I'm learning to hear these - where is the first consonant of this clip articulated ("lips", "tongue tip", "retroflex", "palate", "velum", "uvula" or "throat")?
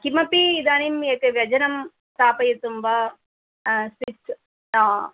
velum